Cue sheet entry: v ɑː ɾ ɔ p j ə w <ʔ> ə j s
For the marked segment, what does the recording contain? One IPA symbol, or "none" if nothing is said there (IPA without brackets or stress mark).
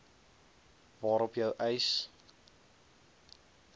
ʔ